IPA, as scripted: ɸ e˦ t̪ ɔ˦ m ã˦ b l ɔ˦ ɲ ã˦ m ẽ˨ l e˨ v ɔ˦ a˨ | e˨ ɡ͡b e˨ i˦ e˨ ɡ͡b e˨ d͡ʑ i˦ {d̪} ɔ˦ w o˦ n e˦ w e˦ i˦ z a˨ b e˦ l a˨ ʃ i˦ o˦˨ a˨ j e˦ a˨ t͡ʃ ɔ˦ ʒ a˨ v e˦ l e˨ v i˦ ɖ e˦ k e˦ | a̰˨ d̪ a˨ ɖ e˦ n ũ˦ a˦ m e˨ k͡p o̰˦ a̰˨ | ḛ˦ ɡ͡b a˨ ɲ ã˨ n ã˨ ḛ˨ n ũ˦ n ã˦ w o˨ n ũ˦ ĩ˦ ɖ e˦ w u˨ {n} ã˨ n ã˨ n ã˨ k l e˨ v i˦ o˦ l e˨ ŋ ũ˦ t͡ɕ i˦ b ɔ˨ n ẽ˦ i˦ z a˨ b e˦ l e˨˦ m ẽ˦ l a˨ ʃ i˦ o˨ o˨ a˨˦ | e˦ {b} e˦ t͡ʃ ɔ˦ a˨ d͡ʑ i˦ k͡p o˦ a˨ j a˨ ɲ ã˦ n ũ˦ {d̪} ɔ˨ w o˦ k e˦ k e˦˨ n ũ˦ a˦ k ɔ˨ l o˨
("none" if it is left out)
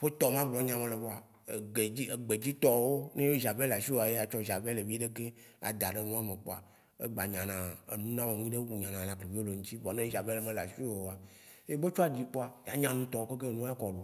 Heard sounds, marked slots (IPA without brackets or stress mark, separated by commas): t̪, ɲ, b, t̪